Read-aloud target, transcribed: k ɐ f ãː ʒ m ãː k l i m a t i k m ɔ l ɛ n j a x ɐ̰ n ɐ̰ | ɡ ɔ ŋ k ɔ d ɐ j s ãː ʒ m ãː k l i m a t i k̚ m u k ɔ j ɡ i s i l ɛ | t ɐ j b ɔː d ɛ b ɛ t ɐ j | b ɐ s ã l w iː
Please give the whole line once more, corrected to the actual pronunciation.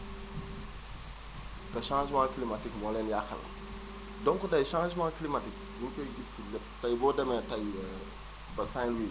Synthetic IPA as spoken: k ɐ ʃ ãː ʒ m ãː k l i m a t i k m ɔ l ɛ n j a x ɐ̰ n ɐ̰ | d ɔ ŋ k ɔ d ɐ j ʃ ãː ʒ m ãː k l i m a t i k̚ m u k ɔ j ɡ i s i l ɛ | t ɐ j b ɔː d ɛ m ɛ t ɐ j | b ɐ s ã l w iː

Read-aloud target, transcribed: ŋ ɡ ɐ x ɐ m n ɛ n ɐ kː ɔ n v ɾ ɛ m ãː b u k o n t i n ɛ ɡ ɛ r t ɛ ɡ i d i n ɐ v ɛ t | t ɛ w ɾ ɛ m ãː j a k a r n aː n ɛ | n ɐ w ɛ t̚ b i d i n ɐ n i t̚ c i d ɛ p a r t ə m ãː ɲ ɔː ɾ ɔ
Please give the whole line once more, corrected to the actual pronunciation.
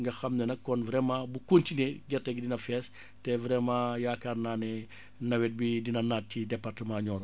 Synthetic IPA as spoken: ŋ ɡ ɐ x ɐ m n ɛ n ɐ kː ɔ n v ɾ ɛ m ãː b u k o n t i n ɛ ɡ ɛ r t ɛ ɡ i d i n ɐ f ɛ s | t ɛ v ɾ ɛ m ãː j a k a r n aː n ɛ | n ɐ w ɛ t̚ b i d i n ɐ n a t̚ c i d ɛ p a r t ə m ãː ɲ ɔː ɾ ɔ

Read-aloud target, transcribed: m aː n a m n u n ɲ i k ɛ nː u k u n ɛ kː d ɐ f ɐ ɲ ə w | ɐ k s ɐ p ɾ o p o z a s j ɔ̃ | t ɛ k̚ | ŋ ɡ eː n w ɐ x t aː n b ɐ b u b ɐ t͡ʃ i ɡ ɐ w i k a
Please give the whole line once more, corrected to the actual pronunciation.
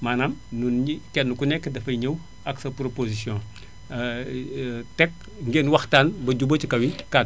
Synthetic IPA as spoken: m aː n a m n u n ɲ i k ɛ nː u k u n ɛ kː d ɐ f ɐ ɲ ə w | ɐ k s ɐ p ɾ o p o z i s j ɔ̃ | t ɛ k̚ | ŋ ɡ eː n w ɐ x t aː n b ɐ ɟ u b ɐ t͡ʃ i k ɐ w i k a

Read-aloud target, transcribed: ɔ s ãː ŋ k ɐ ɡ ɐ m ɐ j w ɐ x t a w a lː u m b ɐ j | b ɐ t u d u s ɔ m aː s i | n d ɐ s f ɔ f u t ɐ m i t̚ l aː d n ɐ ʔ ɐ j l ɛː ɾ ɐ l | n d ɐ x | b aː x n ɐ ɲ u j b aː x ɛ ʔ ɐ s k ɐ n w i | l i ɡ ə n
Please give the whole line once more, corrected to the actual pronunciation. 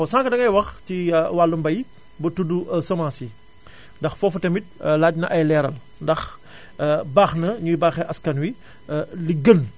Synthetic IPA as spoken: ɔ s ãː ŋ k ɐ d ɐ ŋ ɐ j w ɐ x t i w a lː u m b ɐ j | b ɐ t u d u s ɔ m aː s i | n d ɐ x f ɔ f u t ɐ m i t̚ l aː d n ɐ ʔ ɐ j l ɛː ɾ ɐ l | n d ɐ x | b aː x n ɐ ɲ u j b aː x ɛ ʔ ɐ s k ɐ n w i | l i ɡ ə n

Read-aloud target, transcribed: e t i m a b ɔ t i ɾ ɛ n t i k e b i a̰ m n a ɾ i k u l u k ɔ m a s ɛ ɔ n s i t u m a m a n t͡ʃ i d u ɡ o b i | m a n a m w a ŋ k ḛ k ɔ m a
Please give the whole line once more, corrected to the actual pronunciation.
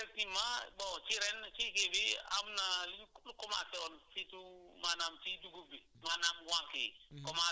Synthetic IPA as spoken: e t i m a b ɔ t͡ʃ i ɾ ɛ n t͡ʃ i k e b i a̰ m n a l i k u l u k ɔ m a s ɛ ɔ n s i t u m a n a m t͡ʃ i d u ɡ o b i | m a n a m w a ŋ k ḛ k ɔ m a

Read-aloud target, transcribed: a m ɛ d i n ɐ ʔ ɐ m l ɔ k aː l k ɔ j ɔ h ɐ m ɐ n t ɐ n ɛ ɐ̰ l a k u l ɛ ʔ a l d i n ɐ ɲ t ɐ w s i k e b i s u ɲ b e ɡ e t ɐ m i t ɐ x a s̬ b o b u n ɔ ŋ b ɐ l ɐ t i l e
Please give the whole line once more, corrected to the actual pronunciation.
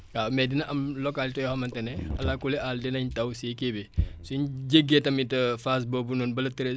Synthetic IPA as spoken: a m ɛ d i n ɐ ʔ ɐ m l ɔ k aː l t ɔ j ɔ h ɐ m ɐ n t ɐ n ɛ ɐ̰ l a k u l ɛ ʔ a l d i n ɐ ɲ t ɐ w s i k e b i s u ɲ ɟ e ɡ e t ɐ m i t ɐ f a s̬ b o b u n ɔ n b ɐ l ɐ t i ɾ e

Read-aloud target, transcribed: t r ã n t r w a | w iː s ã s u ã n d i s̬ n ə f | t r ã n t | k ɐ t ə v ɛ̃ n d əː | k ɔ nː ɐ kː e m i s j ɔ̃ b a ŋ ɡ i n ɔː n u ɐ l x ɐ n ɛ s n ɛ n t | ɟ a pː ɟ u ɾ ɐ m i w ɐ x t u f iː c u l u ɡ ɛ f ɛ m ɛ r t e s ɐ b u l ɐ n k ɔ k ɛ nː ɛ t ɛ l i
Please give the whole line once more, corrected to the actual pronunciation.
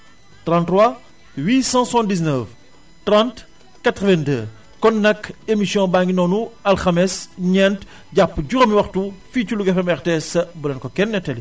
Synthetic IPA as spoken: t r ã n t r w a | w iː s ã s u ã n d i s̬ n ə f | t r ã n t | k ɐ t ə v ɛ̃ n d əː | k ɔ nː ɐ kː e m i s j ɔ̃ b a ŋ ɡ i n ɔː n u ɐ l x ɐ m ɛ s ɲ ɛ n t | ɟ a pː ɟ u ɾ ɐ m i w ɐ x t u f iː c u l u ɡ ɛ f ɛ m ɛ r t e s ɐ b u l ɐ n k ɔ k ɛ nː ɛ t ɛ l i

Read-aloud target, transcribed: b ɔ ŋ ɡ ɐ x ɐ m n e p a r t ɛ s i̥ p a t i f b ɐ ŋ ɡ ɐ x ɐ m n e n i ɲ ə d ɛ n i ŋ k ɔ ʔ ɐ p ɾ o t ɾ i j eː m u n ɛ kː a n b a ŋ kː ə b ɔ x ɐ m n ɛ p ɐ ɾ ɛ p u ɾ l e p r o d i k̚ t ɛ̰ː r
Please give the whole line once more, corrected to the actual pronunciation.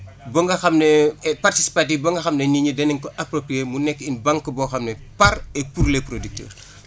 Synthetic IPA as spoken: b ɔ ŋ ɡ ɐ x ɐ m n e p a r t i s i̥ p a t i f b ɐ ŋ ɡ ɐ x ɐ m n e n i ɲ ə d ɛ n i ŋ k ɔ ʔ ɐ p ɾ o p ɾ i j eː m u n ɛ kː i n b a ŋ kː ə b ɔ x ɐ m n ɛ p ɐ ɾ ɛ p u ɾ l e p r o d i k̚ t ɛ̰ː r

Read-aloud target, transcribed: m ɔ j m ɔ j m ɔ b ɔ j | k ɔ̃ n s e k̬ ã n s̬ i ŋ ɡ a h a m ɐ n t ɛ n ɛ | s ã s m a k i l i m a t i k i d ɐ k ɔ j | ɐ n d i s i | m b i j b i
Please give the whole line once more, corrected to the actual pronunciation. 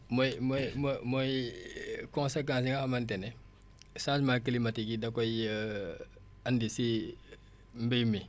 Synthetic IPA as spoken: m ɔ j m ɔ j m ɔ m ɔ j | k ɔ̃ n s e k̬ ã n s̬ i ŋ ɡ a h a m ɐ n t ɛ n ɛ | s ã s m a k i l i m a t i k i d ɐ k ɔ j | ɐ n d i s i | m b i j m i

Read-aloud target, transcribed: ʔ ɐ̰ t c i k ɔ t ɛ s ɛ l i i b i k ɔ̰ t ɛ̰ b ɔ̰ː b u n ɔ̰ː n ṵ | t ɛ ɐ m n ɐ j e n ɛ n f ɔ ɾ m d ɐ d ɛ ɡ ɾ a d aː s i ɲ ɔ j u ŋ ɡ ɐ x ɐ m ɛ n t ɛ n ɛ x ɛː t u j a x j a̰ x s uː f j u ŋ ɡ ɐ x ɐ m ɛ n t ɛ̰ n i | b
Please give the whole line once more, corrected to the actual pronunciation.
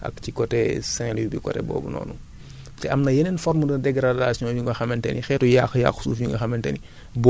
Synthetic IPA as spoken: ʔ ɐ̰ k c i k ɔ t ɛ s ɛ l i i b i k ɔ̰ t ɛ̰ b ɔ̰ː b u n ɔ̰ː n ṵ | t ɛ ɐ m n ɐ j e n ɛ n f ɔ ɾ m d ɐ d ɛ ɡ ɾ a d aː s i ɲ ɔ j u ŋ ɡ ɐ x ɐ m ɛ n t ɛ n i x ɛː t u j a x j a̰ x s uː f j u ŋ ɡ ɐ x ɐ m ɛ n t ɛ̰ n i | b

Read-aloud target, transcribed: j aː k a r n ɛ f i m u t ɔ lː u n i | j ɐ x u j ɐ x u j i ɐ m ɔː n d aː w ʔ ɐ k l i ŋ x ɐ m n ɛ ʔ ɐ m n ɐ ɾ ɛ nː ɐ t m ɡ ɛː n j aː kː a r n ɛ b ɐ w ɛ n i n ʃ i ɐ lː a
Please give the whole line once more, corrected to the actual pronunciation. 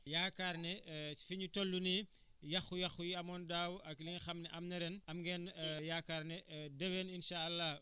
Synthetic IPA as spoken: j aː k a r n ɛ f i ɲ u t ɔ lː u n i | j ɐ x u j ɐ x u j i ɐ m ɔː n d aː w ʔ ɐ k l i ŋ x ɐ m n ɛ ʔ ɐ m n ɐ ɾ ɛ n ɐ m ɡ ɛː n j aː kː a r n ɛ d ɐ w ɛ n i n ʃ a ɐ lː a

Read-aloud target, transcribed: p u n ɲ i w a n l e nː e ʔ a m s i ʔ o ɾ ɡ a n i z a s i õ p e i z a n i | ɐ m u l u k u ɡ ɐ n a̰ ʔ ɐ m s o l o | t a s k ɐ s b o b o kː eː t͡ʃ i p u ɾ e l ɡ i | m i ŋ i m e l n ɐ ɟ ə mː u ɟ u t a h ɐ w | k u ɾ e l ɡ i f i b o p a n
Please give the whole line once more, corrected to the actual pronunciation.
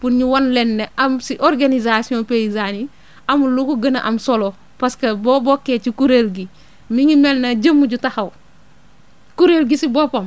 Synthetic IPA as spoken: p u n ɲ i w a n l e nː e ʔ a m s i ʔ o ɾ ɡ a n i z a s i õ p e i z a n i | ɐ m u l u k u ɡ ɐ n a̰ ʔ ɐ m s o l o | p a s k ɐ b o b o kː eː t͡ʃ i k u ɾ e l ɡ i | m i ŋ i m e l n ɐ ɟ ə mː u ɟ u t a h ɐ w | k u ɾ e l ɡ i s i b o p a m

